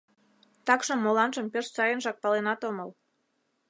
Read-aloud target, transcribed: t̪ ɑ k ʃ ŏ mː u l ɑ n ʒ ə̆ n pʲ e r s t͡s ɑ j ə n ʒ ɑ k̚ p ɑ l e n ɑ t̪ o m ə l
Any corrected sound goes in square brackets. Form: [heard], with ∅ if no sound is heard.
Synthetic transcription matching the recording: t̪ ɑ k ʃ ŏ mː [o] l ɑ n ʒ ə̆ [m] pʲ e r [ʃ] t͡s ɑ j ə n ʒ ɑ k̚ p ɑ l e n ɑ t̪ o m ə l